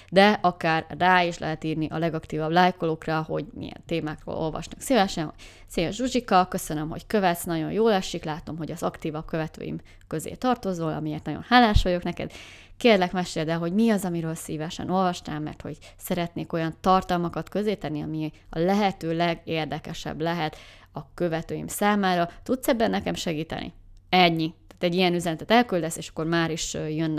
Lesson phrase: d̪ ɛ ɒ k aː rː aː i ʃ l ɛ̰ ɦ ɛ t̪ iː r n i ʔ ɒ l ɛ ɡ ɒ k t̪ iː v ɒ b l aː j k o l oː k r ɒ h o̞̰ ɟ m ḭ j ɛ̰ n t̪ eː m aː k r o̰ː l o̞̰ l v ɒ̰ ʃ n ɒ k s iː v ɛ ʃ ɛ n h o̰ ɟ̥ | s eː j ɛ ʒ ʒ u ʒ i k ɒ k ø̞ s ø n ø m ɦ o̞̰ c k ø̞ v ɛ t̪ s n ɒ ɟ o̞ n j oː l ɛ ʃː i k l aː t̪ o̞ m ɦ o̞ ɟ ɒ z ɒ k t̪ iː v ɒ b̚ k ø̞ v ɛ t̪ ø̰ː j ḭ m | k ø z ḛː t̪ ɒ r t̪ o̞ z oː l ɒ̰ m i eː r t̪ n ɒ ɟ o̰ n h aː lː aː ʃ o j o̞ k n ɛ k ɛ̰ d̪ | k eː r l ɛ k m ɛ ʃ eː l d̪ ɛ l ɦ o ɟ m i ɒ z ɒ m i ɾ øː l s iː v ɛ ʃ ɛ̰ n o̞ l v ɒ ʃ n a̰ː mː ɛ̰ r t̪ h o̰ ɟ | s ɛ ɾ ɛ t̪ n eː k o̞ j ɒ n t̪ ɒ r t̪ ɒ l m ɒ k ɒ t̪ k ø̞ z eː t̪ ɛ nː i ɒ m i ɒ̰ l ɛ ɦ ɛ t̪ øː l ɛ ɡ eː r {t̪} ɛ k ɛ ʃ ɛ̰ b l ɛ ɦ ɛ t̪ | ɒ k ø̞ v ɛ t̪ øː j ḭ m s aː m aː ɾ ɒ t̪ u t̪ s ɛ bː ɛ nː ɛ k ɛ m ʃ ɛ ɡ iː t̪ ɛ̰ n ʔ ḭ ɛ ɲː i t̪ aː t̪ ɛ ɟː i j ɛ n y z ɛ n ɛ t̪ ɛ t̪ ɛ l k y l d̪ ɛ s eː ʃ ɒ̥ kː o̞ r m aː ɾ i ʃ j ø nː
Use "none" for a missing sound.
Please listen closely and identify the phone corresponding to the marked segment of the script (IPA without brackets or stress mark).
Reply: d̪